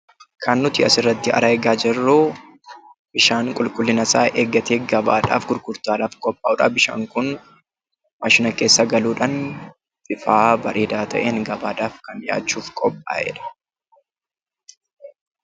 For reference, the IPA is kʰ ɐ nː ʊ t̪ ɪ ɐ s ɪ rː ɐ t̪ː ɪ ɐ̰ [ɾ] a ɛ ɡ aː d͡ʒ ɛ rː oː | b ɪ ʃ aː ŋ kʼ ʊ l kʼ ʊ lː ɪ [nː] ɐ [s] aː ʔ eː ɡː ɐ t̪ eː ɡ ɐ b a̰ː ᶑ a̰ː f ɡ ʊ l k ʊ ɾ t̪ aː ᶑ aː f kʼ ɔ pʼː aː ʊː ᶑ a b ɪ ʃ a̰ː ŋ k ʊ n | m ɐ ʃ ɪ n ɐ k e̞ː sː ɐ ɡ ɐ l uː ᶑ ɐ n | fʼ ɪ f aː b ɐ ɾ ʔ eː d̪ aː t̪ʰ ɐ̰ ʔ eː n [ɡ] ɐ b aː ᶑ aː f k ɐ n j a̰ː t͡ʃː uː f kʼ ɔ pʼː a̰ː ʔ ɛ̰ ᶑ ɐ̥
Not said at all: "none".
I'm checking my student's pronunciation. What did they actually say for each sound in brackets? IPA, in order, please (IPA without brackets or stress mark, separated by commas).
ɾ, n, s, ɡ